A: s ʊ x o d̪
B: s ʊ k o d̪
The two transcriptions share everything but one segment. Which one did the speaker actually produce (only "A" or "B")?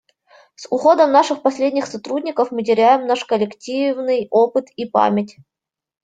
A